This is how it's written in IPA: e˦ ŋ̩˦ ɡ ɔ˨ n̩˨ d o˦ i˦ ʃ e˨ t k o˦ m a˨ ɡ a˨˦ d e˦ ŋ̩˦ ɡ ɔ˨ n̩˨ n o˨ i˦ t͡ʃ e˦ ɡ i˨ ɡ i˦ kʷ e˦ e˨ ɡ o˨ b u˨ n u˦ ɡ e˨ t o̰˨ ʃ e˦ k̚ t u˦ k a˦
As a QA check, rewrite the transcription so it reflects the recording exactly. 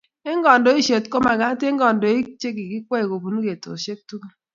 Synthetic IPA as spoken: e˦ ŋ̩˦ ɡ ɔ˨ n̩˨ d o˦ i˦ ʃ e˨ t k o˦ m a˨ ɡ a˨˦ t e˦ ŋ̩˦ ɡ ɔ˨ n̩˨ d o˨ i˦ t͡ʃ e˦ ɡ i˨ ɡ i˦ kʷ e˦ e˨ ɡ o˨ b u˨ n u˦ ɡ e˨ t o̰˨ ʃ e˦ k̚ t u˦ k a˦